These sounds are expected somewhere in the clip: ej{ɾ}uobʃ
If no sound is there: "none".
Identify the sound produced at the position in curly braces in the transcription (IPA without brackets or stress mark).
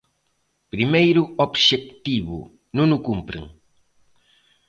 ɾ